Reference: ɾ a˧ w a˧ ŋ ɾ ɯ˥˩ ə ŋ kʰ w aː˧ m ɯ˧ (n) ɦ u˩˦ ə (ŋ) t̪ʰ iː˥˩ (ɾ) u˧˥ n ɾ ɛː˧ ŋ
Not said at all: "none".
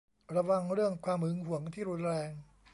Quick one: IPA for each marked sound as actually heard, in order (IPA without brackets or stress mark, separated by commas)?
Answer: ŋ, ŋ, ɾ